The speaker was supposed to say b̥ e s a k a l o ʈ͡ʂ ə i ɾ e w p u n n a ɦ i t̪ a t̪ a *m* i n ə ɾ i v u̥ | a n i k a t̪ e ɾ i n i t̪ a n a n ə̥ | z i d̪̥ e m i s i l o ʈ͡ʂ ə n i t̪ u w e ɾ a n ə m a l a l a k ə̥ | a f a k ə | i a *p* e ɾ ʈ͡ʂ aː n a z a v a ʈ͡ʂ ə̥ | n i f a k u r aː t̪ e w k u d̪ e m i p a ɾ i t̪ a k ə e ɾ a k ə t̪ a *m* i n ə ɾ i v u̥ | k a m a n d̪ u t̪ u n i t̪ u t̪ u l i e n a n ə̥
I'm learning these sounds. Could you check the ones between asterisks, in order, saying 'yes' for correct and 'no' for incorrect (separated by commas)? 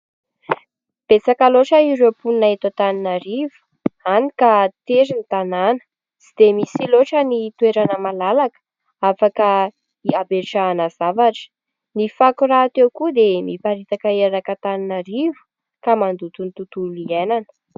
no, no, no